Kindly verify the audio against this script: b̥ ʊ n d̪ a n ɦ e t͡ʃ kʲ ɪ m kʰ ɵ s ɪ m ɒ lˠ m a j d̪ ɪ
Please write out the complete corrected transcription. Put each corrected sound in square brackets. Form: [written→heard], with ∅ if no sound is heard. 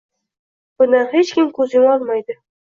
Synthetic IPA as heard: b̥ ʊ n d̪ a n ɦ e t͡ʃ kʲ ɪ m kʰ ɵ [s→z] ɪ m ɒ lˠ m a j d̪ ɪ